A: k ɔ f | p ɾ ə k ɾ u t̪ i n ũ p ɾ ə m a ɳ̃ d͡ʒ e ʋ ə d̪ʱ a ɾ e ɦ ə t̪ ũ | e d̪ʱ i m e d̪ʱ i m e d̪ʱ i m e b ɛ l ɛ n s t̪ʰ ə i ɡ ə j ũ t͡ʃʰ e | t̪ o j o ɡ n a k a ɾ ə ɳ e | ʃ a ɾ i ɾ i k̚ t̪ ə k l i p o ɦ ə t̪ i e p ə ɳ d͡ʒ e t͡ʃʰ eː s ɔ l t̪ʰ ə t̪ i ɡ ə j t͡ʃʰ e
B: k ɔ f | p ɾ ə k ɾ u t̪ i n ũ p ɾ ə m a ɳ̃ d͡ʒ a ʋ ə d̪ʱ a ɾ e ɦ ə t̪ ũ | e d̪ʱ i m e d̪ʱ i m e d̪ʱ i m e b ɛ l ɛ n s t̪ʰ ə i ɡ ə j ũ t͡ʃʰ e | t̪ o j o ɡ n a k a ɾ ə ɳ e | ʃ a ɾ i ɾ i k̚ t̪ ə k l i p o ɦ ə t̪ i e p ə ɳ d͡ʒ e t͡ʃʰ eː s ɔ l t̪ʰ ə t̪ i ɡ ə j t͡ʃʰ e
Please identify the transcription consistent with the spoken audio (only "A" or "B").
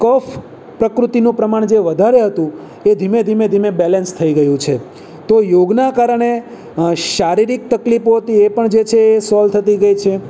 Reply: A